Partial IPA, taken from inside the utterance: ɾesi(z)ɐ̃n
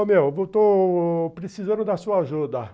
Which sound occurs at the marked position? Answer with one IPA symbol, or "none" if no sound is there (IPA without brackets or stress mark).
z